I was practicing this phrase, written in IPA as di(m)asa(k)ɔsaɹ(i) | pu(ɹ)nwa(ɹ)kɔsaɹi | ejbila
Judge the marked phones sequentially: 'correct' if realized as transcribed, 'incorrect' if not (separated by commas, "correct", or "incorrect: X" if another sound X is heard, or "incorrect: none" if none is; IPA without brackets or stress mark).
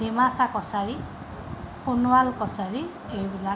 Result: correct, correct, correct, incorrect: none, incorrect: l